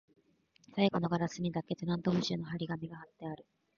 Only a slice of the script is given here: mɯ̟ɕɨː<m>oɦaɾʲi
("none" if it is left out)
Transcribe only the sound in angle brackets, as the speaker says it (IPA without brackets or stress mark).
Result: n